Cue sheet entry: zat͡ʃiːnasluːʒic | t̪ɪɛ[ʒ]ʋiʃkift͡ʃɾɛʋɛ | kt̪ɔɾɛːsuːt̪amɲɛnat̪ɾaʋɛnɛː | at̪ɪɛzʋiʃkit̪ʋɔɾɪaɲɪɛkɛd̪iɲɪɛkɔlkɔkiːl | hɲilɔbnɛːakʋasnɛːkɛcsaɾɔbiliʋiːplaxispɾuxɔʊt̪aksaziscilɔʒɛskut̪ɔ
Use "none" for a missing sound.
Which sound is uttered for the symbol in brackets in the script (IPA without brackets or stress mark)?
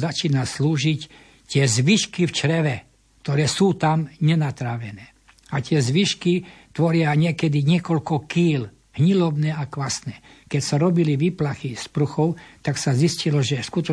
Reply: z